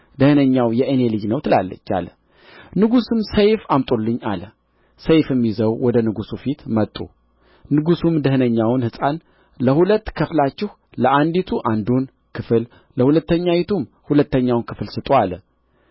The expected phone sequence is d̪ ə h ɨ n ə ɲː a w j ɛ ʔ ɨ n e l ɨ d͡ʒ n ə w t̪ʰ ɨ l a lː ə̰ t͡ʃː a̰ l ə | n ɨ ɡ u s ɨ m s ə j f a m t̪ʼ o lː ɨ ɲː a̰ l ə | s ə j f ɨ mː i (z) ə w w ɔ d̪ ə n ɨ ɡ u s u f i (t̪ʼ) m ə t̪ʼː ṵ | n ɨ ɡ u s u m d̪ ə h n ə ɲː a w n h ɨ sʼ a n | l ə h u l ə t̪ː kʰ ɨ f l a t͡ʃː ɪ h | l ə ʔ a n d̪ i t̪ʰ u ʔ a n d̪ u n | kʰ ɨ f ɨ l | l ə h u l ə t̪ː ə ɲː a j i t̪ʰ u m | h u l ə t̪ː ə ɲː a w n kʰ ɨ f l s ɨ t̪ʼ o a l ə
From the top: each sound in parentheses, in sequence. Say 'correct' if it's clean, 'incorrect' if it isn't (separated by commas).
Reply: correct, incorrect